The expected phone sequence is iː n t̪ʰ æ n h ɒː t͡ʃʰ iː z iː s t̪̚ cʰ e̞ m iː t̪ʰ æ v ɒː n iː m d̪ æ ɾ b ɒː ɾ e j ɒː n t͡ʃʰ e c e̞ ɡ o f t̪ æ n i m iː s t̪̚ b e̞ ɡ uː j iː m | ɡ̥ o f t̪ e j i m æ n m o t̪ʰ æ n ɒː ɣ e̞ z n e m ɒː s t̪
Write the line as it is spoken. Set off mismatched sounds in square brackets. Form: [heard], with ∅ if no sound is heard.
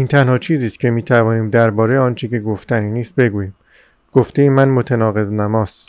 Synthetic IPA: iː n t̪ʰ æ n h ɒː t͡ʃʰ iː z iː s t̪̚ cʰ e̞ m iː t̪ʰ æ v ɒː n iː m d̪ æ ɾ b ɒː ɾ e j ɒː n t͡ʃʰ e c e̞ ɡ o f t̪ æ n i [n] iː s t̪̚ b e̞ ɡ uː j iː m | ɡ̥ o f t̪ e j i m æ n m o t̪ʰ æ n ɒː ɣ e̞ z n [æ] m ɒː s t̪